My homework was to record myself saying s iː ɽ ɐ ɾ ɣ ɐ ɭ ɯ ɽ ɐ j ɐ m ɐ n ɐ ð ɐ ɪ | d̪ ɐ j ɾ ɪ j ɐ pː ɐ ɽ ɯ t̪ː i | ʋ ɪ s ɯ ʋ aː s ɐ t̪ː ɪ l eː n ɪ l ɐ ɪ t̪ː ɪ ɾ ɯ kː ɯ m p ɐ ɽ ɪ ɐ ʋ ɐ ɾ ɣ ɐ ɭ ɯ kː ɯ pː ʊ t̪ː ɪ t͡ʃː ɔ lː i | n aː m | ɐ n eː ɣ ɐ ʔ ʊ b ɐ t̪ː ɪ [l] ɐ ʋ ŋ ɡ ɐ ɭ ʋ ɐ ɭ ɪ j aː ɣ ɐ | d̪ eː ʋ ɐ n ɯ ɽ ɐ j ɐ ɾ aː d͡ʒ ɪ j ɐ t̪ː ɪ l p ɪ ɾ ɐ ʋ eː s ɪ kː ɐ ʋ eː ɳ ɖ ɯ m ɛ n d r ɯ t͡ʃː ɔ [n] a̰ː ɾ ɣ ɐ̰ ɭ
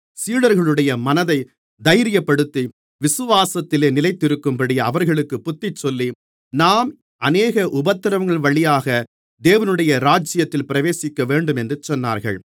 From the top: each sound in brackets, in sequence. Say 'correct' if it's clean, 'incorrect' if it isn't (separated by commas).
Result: incorrect, incorrect